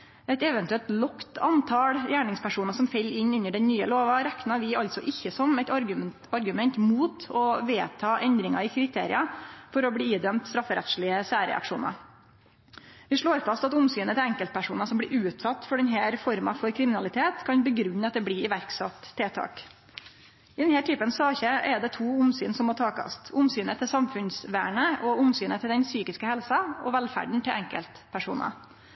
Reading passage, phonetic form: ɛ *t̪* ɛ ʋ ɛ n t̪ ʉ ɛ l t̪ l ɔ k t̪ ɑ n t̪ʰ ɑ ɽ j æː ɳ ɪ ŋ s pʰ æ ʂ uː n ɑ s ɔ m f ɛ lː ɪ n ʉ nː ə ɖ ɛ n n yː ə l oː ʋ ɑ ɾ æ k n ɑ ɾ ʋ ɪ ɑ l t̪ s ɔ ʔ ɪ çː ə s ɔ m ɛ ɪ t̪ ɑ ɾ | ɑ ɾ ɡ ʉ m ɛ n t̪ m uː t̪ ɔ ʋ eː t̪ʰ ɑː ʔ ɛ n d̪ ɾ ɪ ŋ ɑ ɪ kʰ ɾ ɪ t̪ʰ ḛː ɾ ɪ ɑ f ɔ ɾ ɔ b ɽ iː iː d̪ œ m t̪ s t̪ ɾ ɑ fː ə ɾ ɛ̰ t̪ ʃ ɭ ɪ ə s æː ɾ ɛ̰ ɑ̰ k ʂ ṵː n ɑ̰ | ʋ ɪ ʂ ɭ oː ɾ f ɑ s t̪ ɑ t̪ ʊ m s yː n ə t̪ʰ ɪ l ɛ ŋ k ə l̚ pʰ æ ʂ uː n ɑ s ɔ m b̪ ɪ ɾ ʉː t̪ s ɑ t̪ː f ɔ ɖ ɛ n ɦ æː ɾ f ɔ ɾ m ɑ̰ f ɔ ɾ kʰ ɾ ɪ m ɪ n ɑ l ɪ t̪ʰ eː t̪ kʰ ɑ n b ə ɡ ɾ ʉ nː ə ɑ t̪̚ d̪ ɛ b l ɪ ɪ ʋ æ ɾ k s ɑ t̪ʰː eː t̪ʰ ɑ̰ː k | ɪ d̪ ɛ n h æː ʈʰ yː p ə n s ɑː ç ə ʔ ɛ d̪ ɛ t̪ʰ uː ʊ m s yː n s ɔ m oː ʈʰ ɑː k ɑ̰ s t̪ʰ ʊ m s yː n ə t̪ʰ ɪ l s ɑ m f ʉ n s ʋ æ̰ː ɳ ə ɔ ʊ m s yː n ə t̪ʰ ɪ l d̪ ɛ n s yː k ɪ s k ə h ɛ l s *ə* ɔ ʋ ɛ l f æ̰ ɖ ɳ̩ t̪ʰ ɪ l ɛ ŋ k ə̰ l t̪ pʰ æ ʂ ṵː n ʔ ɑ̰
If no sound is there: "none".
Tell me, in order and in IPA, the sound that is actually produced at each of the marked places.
t̪, ɑ

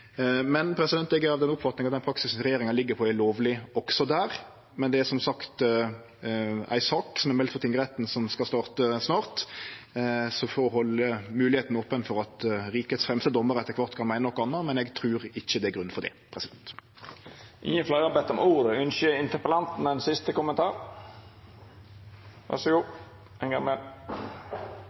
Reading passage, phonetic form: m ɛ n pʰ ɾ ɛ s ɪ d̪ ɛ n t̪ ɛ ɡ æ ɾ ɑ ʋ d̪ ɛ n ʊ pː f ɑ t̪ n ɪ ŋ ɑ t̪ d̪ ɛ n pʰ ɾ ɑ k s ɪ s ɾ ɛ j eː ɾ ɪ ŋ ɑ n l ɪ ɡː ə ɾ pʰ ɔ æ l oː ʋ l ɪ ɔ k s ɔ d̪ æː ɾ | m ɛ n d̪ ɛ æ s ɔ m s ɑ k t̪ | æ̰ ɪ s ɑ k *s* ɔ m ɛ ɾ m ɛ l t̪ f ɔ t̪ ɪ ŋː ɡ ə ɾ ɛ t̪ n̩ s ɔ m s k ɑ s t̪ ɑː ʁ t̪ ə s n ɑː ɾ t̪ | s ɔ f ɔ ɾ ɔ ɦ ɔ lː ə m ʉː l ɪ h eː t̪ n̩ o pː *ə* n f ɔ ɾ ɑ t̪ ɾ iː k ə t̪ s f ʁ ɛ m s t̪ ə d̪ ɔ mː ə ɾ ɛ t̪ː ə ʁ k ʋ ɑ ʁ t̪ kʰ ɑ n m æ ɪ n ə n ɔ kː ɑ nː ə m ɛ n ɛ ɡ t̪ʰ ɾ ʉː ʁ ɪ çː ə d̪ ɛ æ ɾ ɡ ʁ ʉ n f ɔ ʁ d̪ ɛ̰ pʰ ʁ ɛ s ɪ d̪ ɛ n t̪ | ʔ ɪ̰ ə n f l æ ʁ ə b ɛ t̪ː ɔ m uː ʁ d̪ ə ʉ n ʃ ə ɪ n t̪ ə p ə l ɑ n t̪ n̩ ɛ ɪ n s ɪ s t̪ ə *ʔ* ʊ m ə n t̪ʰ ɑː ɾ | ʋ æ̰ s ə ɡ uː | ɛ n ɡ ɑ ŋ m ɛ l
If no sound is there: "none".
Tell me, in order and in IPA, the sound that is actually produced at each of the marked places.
s, ə, k

